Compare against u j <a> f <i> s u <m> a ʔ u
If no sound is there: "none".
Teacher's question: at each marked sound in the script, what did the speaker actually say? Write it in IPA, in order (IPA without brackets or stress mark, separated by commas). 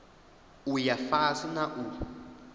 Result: a, a, n